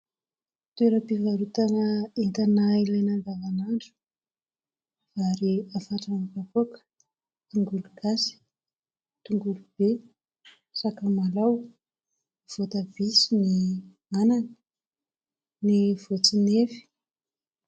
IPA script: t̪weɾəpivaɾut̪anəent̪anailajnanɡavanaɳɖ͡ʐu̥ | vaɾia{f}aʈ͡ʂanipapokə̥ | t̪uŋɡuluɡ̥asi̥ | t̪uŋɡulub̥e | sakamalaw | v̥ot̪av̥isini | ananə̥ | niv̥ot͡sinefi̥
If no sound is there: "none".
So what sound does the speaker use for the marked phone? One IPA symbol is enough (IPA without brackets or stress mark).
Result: f